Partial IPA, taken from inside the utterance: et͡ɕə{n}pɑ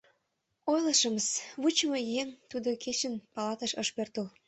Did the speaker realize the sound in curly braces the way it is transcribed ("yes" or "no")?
yes